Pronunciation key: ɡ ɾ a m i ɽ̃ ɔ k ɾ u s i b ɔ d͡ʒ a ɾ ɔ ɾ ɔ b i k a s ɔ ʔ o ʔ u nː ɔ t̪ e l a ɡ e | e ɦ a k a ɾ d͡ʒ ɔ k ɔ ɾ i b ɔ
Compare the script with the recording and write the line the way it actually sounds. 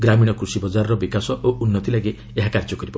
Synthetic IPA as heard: ɡ ɾ a m i ɽ̃ ɔ k ɾ u s i b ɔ d͡ʒ a ɾ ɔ ɾ ɔ b i k a s ɔ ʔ o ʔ u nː ɔ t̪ i l a ɡ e | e ɦ a k a ɾ d͡ʒ ɔ k ɔ ɾ i b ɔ